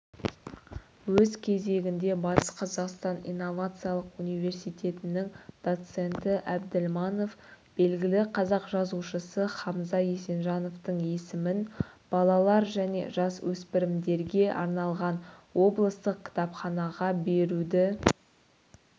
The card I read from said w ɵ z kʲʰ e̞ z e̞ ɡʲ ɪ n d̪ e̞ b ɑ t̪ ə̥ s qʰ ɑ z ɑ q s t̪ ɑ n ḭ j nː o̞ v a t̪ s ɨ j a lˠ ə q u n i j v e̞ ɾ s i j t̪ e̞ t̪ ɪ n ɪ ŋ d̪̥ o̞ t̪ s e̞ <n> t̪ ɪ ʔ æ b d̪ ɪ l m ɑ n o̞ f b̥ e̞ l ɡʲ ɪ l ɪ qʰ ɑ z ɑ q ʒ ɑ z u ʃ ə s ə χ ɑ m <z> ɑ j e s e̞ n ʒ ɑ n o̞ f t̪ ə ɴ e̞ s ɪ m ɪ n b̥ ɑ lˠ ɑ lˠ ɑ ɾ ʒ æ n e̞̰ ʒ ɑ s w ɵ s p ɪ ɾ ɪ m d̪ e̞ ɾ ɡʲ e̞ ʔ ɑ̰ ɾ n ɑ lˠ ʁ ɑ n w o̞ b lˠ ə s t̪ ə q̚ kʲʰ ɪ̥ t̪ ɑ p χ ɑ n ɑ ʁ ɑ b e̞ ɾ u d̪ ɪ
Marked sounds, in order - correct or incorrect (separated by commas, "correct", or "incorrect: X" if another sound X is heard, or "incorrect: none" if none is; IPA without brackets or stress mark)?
correct, correct